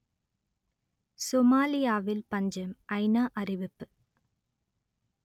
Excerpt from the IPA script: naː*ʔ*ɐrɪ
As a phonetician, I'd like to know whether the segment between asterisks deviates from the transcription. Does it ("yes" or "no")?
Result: no